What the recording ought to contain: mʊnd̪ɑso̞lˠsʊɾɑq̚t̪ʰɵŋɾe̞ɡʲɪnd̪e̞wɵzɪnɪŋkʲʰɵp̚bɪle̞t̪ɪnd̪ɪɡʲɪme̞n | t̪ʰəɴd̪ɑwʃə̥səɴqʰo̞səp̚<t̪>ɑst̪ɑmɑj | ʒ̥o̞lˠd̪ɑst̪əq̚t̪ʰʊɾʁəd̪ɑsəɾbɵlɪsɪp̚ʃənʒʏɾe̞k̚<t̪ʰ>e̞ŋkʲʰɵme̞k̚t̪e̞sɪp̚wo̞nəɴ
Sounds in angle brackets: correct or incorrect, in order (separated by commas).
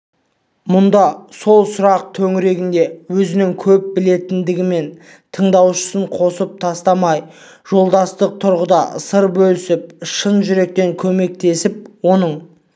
incorrect, incorrect